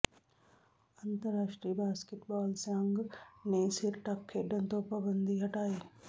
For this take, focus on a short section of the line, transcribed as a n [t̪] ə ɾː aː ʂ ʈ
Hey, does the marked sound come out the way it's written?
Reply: yes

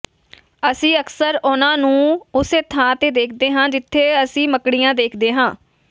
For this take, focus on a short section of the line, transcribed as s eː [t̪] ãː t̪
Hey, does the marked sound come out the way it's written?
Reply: no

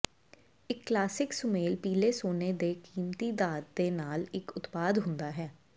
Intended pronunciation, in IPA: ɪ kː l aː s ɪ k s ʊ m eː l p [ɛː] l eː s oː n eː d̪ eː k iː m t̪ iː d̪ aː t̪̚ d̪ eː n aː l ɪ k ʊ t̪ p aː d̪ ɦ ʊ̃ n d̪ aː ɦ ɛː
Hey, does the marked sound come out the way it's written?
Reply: no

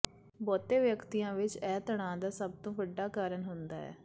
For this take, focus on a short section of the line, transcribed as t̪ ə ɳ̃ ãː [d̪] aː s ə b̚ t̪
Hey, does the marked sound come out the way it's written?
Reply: yes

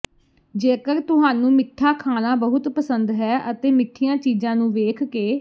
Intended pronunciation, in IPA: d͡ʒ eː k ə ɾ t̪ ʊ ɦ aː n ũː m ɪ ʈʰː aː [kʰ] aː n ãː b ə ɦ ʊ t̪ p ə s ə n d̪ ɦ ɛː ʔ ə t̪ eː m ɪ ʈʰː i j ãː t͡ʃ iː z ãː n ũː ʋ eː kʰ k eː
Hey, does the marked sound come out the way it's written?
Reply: yes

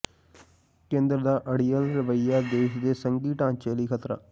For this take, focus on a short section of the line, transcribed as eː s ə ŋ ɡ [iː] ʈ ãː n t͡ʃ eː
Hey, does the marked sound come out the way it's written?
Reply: yes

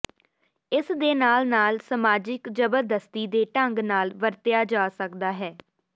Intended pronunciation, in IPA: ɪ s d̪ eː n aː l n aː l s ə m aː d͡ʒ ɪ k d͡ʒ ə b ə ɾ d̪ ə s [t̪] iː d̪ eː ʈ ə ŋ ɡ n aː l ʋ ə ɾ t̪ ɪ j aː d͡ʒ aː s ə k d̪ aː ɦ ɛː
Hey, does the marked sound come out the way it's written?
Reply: yes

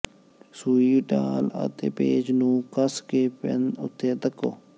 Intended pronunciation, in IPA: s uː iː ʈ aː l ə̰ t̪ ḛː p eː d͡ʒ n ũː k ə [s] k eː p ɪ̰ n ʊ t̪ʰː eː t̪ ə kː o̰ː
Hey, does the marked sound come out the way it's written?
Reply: yes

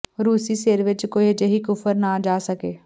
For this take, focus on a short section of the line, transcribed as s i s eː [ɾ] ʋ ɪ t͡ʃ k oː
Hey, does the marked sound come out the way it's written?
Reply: yes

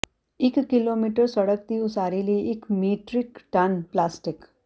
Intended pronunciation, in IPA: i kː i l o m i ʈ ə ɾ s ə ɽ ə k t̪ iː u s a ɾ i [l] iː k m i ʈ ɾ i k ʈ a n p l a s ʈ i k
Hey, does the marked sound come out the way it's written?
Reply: yes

